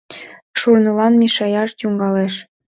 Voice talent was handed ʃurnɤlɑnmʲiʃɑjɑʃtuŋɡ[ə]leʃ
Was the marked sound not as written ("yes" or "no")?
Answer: yes